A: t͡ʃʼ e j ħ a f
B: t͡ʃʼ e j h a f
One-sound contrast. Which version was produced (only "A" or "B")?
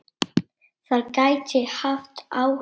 A